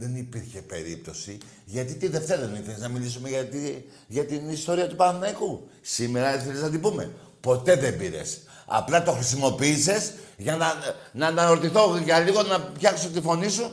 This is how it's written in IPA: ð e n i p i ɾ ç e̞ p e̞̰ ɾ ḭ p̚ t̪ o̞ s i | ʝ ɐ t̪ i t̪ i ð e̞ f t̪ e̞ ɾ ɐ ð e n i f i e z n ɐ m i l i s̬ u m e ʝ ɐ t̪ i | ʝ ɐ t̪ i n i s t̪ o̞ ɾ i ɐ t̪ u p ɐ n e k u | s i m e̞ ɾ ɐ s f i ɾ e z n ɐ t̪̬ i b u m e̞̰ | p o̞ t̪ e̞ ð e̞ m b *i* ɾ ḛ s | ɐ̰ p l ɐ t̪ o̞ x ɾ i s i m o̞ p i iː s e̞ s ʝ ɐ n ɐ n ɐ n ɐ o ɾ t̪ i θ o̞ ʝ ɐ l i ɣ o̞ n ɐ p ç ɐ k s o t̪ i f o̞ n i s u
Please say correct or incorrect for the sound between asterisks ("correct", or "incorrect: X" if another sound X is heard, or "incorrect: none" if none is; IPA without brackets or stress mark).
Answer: correct